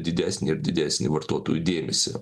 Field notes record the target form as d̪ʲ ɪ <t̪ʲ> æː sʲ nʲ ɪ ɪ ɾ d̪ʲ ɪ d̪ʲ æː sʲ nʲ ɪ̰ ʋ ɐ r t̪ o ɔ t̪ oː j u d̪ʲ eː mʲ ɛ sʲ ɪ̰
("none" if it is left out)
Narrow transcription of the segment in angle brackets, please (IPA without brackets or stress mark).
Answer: d̪ʲ